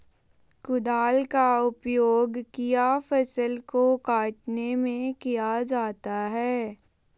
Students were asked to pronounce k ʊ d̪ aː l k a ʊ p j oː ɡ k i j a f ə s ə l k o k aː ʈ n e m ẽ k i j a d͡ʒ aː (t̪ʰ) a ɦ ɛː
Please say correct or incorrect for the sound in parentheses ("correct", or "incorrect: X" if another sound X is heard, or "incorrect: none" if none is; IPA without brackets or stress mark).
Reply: incorrect: t̪